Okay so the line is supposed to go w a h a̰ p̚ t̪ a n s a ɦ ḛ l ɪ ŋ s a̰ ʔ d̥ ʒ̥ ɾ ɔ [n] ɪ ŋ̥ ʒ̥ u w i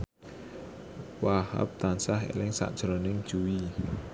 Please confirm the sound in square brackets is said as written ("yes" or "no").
yes